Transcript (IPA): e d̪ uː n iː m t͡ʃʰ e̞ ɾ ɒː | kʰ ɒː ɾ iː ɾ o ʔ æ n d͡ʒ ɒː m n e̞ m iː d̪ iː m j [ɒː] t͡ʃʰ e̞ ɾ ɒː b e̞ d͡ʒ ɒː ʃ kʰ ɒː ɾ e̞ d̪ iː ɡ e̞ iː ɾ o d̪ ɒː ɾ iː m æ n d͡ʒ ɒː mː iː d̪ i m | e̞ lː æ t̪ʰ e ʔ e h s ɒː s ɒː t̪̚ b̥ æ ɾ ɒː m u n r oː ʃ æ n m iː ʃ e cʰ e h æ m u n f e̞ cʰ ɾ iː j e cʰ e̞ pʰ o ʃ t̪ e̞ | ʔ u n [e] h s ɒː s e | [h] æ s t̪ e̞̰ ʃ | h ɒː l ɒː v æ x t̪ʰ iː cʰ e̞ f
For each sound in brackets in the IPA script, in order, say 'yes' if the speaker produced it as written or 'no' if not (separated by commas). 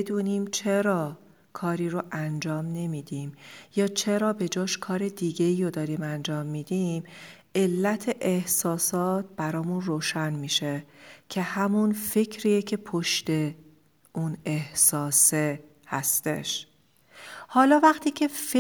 yes, yes, yes